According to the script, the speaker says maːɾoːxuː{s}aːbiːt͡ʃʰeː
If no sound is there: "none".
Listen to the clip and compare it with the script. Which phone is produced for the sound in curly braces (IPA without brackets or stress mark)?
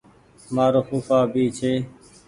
f